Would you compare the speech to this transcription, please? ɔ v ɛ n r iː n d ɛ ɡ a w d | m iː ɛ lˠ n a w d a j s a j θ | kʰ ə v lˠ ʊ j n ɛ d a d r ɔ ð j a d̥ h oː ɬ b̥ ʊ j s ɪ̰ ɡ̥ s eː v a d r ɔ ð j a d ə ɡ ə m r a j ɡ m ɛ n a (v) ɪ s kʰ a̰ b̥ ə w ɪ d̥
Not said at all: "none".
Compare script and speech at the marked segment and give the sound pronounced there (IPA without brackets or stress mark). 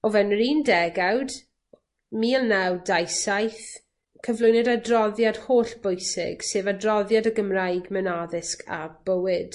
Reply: ð